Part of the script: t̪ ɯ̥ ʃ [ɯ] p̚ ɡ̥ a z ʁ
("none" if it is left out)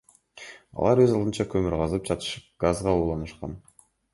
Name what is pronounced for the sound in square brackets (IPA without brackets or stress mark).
ɯ